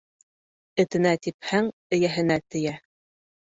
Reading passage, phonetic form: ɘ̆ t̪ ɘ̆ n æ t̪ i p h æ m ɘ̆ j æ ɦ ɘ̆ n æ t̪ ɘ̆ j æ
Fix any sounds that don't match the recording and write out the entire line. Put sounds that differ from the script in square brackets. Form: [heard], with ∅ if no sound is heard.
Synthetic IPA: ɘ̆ t̪ ɘ̆ n æ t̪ i p h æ [ŋ] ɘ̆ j æ ɦ ɘ̆ n æ t̪ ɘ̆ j æ